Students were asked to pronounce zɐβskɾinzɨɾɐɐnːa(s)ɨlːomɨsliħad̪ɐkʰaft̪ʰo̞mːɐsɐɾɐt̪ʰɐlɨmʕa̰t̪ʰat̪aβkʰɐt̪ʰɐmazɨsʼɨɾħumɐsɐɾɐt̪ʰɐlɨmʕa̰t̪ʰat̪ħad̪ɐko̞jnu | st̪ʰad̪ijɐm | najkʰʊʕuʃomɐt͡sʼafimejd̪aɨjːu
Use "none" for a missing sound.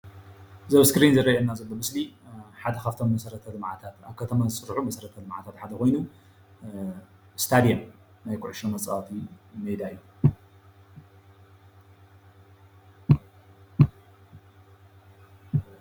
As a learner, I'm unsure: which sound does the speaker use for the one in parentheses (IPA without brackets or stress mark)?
z